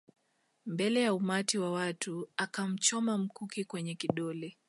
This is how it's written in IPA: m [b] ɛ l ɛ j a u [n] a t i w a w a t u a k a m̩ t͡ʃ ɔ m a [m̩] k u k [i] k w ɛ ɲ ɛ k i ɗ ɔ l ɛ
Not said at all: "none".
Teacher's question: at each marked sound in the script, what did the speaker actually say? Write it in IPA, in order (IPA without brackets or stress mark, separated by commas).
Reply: b, m, m̩, i